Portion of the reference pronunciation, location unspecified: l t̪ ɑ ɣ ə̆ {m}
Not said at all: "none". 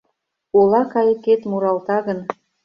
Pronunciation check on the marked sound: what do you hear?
n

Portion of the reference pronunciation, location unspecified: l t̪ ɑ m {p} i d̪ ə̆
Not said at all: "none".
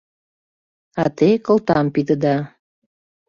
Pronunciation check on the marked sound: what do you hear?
p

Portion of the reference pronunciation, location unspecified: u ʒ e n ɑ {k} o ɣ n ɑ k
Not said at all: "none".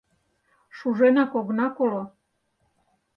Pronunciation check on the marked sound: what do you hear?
k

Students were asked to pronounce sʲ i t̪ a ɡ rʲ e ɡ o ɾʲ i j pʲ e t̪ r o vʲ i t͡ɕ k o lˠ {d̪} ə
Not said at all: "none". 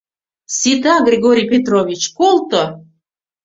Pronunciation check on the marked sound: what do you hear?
t̪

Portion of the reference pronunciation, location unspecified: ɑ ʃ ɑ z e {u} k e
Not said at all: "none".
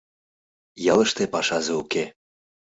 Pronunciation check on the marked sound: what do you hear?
u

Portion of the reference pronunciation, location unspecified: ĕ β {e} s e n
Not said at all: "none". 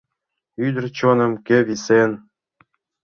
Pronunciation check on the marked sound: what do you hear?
i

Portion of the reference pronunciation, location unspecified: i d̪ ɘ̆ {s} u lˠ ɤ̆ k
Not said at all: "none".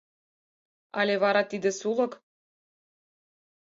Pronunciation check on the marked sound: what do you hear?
s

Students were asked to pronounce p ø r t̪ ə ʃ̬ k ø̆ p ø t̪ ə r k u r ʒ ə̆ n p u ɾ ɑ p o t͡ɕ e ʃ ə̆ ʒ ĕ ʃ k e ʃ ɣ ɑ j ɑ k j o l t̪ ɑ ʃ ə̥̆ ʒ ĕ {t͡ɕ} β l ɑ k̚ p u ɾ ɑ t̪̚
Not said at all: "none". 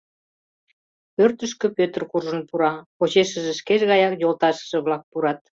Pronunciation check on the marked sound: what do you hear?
none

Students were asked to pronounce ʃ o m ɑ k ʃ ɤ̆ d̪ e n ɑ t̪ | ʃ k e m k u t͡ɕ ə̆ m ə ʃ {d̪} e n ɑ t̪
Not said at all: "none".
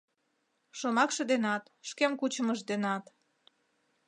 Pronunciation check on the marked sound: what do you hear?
d̪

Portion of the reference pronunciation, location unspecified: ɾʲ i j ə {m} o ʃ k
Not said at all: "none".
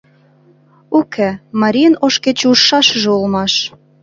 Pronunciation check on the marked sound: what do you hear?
n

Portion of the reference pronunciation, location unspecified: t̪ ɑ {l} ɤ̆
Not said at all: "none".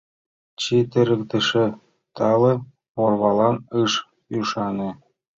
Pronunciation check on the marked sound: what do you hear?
l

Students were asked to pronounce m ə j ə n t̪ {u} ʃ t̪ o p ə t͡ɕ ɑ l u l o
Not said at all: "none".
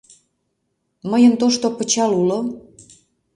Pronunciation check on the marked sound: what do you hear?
o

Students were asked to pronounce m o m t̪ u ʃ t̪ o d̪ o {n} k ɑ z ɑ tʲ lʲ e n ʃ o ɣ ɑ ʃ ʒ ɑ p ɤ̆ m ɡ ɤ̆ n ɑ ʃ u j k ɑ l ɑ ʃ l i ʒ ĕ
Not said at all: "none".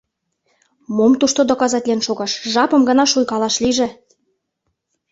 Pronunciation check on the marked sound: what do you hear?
none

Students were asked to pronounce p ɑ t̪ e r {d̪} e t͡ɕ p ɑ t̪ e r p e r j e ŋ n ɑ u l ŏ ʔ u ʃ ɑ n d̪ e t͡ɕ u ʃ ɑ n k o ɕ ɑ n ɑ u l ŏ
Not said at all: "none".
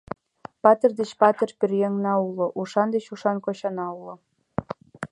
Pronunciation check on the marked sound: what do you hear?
d̪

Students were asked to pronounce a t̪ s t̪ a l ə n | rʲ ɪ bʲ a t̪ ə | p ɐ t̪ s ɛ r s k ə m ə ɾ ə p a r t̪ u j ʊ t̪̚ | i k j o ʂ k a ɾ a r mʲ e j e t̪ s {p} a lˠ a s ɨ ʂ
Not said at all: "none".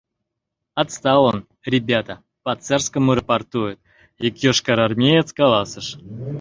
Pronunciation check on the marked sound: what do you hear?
k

